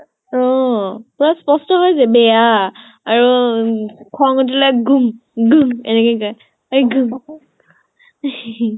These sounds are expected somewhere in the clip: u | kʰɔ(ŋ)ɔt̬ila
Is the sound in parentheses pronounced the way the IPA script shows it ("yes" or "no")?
yes